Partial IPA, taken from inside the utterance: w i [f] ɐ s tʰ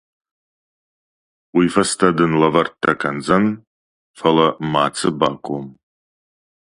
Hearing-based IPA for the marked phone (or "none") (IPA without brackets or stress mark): f